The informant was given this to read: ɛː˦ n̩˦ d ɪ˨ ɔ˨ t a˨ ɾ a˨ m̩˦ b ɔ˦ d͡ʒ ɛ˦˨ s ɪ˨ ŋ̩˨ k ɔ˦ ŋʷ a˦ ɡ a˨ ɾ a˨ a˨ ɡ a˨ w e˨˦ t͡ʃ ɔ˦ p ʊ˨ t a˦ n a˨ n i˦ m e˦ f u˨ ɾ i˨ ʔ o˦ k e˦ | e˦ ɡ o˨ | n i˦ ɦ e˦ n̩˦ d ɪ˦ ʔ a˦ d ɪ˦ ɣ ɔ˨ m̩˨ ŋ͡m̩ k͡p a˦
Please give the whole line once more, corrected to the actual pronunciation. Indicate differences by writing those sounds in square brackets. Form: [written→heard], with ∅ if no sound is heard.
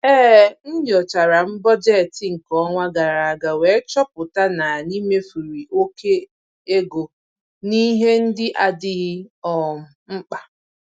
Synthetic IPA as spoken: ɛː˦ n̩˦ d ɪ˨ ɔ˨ [t→t͡ʃ] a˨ ɾ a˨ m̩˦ b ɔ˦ d͡ʒ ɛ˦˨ [s→t] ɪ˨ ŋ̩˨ k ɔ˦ ŋʷ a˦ ɡ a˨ ɾ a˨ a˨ ɡ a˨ w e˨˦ t͡ʃ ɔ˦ p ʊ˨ t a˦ n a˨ n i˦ m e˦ f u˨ ɾ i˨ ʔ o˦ k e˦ | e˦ ɡ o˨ | n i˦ ɦ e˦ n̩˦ d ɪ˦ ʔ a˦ d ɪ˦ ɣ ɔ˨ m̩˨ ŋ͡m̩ k͡p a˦